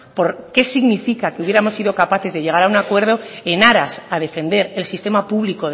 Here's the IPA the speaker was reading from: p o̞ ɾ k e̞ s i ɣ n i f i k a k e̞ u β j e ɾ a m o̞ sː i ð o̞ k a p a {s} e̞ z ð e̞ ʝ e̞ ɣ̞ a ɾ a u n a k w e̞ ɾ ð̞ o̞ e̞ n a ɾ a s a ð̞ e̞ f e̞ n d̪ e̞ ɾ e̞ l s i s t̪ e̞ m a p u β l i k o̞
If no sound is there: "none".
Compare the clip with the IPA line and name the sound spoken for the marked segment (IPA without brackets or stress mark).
θ